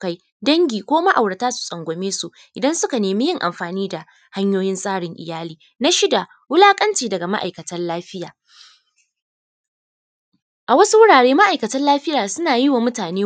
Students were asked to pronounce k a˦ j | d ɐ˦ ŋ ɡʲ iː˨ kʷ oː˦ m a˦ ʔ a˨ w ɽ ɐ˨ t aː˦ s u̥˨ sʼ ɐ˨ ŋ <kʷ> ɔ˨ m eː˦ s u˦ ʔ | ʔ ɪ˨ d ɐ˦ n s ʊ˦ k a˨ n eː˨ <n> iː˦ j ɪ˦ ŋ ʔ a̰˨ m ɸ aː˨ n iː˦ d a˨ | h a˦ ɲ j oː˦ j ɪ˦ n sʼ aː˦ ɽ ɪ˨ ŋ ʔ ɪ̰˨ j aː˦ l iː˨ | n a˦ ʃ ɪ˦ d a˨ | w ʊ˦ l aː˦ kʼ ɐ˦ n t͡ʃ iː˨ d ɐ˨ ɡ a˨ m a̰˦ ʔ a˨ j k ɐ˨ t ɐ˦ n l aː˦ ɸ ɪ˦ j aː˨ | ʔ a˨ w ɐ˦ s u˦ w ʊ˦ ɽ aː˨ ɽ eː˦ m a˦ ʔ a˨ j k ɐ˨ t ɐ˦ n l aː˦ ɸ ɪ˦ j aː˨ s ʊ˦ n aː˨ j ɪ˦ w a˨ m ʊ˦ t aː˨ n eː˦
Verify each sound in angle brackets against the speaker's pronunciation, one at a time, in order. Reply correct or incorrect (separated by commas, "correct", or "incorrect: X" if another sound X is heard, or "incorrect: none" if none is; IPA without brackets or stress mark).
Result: incorrect: ɡʷ, incorrect: m